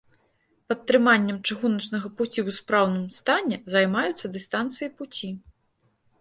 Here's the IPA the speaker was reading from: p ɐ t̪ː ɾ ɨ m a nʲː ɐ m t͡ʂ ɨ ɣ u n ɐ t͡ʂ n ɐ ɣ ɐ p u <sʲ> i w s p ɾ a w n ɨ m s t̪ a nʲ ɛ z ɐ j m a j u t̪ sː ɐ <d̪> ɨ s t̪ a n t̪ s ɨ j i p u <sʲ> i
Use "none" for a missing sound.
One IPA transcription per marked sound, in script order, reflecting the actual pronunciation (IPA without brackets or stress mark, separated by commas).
t͡sʲ, d̪, t͡sʲ